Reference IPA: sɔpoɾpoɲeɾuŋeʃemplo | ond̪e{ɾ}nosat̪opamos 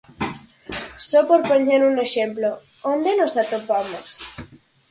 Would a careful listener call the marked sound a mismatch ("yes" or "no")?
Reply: yes